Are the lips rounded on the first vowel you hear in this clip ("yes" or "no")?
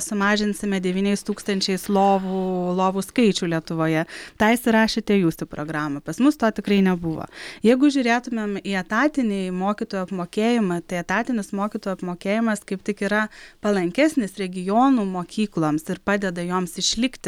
yes